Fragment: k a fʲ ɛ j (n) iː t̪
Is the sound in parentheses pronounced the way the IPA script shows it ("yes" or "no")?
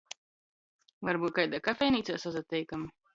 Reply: yes